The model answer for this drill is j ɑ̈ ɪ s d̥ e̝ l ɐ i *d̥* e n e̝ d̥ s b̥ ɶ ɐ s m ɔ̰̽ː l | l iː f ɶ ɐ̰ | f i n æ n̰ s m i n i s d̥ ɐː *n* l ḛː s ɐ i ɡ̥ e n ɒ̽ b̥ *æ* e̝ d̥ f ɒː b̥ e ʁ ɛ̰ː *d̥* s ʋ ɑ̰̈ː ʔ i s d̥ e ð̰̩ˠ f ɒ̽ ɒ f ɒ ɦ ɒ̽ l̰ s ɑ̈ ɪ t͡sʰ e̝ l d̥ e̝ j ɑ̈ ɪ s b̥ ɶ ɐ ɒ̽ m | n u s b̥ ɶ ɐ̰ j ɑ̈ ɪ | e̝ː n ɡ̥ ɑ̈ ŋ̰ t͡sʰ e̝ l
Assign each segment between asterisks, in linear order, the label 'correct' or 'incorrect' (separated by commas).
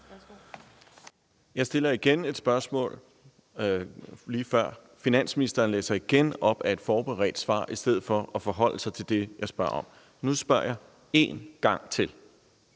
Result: incorrect, correct, correct, correct